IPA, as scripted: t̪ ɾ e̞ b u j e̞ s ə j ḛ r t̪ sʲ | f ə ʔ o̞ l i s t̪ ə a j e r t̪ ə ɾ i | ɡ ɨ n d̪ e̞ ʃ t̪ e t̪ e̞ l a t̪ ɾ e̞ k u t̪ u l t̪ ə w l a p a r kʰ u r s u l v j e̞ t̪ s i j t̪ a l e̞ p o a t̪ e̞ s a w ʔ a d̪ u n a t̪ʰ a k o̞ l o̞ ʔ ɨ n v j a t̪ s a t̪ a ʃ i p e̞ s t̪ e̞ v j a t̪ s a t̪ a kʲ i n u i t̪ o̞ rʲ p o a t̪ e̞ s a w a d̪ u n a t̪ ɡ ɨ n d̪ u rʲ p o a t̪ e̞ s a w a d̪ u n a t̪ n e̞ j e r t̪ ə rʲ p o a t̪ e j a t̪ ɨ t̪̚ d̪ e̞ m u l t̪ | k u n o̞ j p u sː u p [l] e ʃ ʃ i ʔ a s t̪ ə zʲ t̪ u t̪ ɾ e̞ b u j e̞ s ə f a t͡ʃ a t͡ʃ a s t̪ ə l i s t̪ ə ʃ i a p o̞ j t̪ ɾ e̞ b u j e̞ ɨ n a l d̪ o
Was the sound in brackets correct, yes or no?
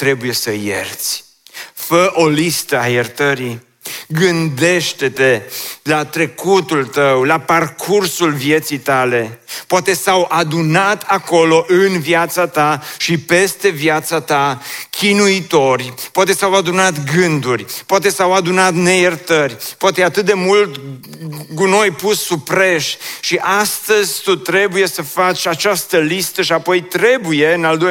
no